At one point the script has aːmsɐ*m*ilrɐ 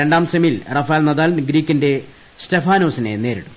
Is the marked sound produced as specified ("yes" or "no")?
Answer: yes